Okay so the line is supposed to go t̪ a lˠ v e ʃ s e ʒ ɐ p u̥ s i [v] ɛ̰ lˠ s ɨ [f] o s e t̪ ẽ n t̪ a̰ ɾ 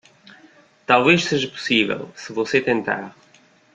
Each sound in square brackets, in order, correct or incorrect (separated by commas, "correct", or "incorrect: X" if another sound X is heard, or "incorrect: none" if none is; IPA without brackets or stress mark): correct, incorrect: v